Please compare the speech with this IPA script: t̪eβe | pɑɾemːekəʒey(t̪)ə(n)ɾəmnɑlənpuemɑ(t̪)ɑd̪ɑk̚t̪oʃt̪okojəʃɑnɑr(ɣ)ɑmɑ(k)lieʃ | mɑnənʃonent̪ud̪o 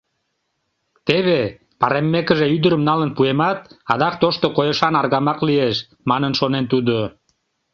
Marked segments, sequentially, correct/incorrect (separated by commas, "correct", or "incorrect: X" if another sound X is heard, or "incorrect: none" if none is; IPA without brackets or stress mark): incorrect: d̪, incorrect: none, correct, correct, correct